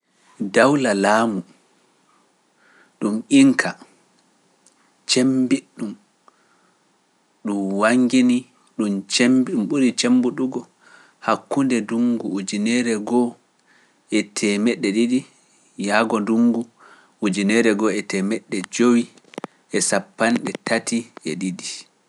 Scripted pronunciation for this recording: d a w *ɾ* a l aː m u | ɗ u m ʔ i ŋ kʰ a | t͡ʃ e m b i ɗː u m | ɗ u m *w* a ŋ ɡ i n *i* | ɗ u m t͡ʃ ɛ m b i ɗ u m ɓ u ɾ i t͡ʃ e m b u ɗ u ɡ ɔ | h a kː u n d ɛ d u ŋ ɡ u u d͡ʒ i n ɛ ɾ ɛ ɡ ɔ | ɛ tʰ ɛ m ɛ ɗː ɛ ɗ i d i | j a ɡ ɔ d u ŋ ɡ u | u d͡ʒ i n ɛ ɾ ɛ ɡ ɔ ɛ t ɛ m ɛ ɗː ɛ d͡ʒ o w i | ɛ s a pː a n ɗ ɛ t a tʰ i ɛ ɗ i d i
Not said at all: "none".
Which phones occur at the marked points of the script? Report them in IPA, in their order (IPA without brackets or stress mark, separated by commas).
l, w, i